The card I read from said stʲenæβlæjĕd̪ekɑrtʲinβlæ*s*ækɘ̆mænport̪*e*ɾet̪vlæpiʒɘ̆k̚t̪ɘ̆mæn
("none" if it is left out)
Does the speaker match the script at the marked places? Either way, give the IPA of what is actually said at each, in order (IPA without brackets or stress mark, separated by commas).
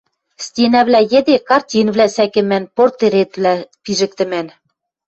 s, e